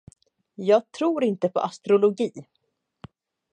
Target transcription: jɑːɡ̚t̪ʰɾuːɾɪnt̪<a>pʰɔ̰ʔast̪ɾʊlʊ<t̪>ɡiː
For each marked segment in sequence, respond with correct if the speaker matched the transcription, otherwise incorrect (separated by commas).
incorrect, incorrect